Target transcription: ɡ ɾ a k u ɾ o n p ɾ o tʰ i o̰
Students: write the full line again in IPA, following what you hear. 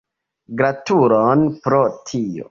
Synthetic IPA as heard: ɡ ɾ a t u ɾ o n p ɾ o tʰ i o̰

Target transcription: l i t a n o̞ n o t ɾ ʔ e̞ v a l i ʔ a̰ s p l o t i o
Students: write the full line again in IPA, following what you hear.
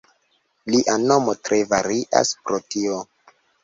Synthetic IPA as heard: l i ʔ a n o̞ m o t ɾ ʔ e̞ v a ɾ i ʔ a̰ s p ɾ o t i o

